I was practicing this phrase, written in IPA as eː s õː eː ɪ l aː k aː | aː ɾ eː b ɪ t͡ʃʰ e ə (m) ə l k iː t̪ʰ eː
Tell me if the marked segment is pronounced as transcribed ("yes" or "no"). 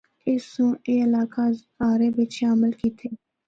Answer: yes